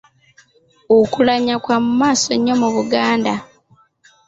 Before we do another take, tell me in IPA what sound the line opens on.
o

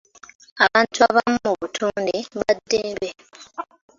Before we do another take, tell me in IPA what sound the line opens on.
a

